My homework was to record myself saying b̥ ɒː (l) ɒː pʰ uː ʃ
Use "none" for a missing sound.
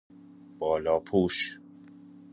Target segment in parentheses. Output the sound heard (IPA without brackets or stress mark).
l